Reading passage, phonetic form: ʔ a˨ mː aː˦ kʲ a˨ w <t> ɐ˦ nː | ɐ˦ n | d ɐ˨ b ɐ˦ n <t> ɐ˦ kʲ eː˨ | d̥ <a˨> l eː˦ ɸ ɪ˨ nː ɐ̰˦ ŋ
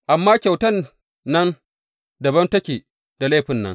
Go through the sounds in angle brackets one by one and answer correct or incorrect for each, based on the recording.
correct, correct, correct

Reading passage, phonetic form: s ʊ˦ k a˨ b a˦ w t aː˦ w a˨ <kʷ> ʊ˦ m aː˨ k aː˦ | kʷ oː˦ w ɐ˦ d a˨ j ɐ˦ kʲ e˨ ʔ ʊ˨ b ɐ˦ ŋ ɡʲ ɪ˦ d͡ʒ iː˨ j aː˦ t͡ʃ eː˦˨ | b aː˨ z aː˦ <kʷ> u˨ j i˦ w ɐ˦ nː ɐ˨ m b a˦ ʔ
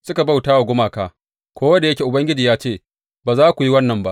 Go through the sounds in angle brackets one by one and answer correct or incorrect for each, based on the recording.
incorrect: ɡʷ, correct

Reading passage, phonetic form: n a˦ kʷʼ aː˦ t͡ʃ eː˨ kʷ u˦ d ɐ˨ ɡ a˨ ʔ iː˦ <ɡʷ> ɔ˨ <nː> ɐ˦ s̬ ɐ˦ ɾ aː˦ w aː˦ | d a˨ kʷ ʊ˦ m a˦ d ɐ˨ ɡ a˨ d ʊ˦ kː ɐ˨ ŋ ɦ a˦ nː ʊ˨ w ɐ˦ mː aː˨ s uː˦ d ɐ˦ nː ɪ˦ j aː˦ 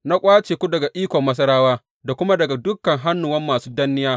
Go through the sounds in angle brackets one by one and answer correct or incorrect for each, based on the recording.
incorrect: kʷ, incorrect: mː

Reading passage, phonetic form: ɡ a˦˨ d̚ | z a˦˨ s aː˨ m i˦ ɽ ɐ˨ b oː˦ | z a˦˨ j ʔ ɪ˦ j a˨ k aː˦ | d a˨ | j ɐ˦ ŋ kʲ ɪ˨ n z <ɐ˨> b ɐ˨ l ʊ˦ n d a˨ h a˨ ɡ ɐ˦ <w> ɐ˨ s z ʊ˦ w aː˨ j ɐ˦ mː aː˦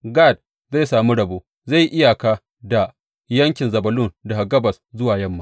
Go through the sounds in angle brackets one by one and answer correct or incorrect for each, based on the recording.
correct, incorrect: b

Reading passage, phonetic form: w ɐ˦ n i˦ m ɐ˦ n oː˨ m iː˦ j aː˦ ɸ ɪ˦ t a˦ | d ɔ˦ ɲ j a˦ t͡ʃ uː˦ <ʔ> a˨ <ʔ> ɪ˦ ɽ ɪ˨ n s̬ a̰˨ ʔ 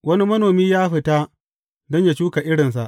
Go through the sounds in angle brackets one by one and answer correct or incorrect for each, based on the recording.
incorrect: k, correct

